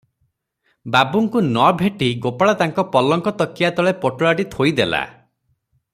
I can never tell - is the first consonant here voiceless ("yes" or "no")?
no